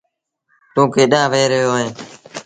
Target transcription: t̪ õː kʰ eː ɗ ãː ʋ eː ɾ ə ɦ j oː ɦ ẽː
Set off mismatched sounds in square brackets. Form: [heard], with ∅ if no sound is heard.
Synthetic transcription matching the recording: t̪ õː [k] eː ɗ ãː ʋ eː ɾ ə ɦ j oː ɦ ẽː